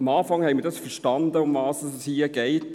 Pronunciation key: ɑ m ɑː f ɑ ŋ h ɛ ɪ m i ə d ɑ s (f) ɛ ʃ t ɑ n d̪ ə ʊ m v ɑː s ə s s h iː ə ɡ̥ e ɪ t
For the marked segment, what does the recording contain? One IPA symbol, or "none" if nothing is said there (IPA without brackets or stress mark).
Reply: f